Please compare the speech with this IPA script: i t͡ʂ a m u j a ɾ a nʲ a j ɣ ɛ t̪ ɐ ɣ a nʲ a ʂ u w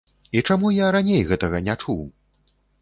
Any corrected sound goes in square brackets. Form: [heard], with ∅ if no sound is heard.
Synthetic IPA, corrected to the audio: i t͡ʂ a m u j a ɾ a nʲ [e] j ɣ ɛ t̪ ɐ ɣ [ɐ] nʲ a [t͡ʂ] u w

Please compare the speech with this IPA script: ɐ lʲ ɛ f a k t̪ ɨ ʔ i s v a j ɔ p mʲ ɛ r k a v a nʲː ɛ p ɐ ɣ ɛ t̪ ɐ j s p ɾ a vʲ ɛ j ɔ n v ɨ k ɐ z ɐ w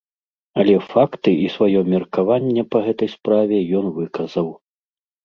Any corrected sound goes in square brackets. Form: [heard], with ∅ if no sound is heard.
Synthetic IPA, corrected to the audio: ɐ lʲ ɛ f a k t̪ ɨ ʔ i s v a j ɔ [∅] mʲ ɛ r k a v a nʲː ɛ p ɐ ɣ ɛ t̪ ɐ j s p ɾ a vʲ ɛ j ɔ n v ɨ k ɐ z ɐ w

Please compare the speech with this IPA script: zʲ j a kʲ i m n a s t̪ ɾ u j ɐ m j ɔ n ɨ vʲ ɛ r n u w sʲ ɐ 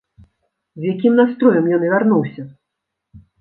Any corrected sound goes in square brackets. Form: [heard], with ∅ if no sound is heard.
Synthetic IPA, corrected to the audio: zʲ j a kʲ i m n a s t̪ ɾ [ɔ] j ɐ m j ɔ n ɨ vʲ [a] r n u w sʲ ɐ

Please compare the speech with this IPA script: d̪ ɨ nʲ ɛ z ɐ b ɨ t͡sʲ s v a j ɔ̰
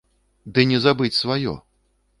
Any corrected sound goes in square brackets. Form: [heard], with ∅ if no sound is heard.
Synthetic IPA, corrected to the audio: d̪ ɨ nʲ ɛ z [a] b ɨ t͡sʲ s v a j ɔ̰

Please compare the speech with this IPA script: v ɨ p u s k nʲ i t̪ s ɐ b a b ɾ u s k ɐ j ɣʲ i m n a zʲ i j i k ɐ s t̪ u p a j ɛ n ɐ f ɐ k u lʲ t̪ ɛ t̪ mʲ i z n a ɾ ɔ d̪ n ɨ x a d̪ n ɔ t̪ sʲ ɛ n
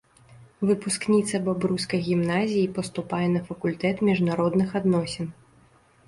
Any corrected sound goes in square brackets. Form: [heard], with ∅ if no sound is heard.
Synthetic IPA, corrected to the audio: v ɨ p u s k nʲ i t̪ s ɐ b a b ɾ u s k ɐ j ɣʲ i m n a zʲ i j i [p] ɐ s t̪ u p a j ɛ n ɐ f ɐ k u lʲ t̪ ɛ t̪ mʲ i [ʐ] n a ɾ ɔ d̪ n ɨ x a d̪ n ɔ [∅] sʲ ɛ n

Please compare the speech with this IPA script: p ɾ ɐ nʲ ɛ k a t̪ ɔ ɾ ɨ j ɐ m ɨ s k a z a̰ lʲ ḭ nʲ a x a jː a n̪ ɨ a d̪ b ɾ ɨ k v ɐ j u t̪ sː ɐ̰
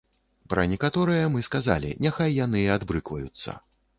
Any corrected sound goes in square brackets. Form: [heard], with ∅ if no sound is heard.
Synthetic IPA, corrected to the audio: p ɾ ɐ nʲ ɛ k a t̪ ɔ ɾ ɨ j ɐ m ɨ s k a z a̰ lʲ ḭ nʲ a x a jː a n̪ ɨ a d̪ b ɾ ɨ k v ɐ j u t̪ sː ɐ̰

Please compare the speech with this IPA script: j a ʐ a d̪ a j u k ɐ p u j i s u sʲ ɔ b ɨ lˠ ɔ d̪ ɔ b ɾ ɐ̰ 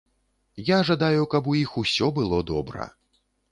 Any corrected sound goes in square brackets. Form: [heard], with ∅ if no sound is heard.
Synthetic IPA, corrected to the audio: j a ʐ a d̪ a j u k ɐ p u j i [x] u sʲ ɔ b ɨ lˠ ɔ d̪ ɔ b ɾ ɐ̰

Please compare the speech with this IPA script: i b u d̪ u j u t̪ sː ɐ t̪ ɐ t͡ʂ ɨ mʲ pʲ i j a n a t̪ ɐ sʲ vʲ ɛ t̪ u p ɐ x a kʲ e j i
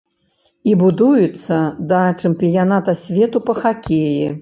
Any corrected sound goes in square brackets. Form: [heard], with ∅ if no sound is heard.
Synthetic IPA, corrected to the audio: i b u d̪ u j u t̪ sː ɐ [d̪] ɐ t͡ʂ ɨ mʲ pʲ i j a n a t̪ ɐ sʲ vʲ ɛ t̪ u p ɐ x a kʲ e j i

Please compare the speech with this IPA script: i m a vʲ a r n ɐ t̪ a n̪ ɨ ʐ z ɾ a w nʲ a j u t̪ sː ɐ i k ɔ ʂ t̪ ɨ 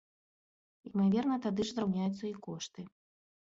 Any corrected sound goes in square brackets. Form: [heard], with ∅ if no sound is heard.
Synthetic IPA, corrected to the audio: i m a vʲ [ɛ] r n ɐ t̪ a [d̪] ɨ ʐ z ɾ a w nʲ a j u t̪ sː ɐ i k ɔ ʂ t̪ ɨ

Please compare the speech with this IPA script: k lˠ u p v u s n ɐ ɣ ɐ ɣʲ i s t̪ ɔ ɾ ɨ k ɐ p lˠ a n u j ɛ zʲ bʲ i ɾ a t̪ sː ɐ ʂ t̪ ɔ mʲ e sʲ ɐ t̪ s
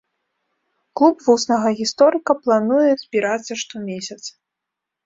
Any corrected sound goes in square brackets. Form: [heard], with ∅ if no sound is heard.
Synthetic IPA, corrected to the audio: k lˠ u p v u s n ɐ ɣ ɐ ɣʲ i s t̪ ɔ ɾ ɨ k ɐ p lˠ a n u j ɛ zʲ bʲ i ɾ a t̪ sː ɐ ʂ t̪ ɔ mʲ e sʲ ɐ t̪ s

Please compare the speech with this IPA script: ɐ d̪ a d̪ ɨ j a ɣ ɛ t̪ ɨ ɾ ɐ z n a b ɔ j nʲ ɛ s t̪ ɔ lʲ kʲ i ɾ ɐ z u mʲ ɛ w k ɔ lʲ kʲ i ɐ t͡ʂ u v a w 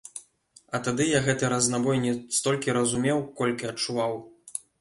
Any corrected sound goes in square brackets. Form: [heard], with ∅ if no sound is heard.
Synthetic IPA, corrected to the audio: ɐ [t̪] a d̪ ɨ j a ɣ ɛ t̪ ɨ ɾ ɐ z n a b ɔ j nʲ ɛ s t̪ ɔ lʲ kʲ i ɾ ɐ z u mʲ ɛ w k ɔ lʲ kʲ i ɐ t͡ʂ u v a w

